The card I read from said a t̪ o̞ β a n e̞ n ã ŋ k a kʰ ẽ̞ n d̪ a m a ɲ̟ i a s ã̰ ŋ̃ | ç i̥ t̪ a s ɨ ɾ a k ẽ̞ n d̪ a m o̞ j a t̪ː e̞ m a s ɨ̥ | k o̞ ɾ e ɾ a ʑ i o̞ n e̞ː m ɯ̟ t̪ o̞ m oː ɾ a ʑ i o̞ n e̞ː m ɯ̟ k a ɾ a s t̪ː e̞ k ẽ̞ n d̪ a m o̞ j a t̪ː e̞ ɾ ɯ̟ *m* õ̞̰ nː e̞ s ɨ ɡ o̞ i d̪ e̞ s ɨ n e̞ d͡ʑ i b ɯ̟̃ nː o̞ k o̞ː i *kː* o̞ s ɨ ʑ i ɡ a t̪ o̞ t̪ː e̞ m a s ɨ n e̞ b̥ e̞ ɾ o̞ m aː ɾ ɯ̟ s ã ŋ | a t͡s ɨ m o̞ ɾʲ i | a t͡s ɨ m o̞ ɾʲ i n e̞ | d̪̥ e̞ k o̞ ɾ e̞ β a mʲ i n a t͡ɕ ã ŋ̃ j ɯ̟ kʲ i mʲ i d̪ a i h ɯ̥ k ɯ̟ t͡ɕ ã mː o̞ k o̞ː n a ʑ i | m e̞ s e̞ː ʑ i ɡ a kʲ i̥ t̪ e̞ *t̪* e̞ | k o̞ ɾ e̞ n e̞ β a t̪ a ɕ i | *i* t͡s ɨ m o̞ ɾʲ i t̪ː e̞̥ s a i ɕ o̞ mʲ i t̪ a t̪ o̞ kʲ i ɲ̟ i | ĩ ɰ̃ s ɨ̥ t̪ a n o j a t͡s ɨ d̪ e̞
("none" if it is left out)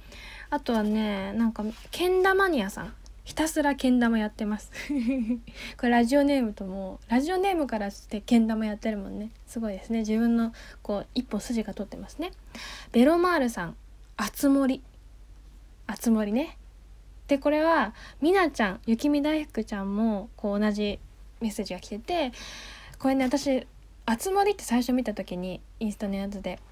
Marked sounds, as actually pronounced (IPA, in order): m, pː, t̪, a

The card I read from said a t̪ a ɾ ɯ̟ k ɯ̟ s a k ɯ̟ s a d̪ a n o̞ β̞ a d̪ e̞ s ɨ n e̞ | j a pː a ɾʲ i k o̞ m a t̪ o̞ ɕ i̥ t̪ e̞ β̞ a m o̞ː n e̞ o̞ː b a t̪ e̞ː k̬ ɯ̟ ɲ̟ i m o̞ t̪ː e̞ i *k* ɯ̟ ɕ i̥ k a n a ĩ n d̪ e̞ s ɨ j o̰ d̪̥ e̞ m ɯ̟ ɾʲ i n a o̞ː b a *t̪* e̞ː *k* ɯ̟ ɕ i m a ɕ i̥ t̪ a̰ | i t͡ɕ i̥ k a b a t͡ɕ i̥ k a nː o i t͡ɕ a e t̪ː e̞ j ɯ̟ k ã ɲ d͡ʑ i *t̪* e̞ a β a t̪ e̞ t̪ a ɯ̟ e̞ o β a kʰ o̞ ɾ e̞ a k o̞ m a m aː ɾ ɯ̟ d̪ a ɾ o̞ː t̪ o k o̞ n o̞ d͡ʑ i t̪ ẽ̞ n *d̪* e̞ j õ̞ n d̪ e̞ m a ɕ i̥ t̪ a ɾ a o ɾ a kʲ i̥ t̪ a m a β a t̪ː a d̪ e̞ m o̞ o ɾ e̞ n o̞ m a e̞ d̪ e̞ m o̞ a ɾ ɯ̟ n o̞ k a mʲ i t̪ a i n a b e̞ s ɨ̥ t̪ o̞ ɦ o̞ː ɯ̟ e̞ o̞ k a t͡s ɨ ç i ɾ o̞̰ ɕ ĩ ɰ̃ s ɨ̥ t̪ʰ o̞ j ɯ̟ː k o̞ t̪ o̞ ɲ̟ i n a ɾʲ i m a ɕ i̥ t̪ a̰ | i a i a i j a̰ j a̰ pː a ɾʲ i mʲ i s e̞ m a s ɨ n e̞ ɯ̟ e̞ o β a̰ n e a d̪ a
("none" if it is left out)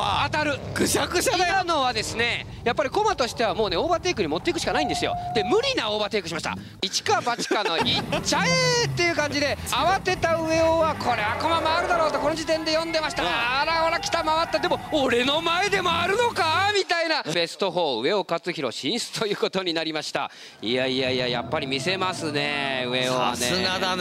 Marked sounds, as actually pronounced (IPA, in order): k, t̪, k, d̪, d̪

